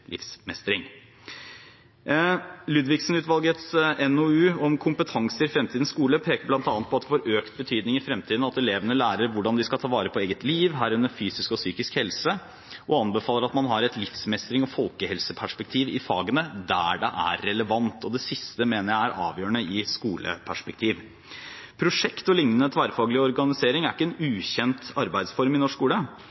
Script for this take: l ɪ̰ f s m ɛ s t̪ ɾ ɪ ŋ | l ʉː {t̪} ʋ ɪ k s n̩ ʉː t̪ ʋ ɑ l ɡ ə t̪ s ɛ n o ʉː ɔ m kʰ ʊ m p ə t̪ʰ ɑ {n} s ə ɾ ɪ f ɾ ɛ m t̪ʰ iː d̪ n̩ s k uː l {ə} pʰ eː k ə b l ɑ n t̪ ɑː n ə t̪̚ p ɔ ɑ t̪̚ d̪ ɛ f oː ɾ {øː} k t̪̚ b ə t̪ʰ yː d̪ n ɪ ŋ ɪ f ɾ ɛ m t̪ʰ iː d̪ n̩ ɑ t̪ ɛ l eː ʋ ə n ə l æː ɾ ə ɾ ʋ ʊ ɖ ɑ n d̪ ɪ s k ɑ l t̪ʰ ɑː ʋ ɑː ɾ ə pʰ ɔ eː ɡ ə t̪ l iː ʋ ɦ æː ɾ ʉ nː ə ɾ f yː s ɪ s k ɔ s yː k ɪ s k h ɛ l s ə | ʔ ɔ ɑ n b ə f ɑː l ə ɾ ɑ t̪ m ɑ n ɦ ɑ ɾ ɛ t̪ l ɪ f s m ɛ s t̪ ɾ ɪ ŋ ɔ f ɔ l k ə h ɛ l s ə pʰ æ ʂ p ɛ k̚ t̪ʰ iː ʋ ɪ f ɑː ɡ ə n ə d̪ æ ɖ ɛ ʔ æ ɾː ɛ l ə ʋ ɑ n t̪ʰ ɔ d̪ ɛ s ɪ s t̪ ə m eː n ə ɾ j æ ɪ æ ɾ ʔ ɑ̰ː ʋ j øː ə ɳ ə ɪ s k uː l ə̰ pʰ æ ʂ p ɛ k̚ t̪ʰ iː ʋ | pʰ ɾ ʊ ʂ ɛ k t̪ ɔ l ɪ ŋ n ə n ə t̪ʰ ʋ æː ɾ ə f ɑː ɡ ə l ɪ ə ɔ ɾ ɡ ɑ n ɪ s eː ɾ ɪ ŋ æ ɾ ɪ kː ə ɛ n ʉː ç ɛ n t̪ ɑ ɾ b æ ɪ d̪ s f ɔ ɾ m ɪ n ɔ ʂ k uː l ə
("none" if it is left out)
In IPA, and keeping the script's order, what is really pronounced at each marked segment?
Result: d̪, ŋ, ə, øː

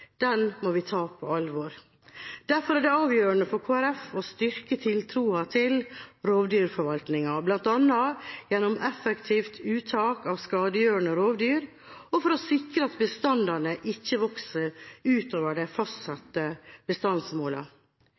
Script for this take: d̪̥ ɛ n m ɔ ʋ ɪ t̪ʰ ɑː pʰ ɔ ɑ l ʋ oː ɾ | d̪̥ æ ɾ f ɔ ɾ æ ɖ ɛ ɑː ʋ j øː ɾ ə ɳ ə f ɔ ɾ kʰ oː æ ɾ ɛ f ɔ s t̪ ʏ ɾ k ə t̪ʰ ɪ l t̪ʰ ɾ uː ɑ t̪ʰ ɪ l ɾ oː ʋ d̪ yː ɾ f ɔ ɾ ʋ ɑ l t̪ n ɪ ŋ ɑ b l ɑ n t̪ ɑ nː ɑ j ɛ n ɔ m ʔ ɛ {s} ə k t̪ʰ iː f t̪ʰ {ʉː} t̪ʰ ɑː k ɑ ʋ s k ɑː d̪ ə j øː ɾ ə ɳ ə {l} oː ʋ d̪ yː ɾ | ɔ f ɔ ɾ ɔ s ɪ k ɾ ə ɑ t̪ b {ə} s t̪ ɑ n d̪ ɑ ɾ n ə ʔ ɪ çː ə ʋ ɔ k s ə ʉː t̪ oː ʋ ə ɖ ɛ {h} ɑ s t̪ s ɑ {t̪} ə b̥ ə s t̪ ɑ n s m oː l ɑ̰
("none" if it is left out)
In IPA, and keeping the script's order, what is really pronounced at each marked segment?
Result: f, ʉː, ɾ, ə, f, t̪

